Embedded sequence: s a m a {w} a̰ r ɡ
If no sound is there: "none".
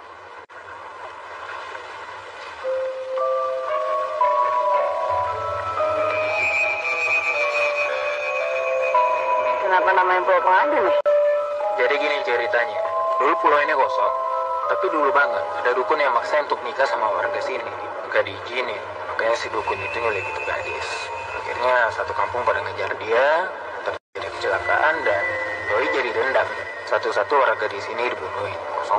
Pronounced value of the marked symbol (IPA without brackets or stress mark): w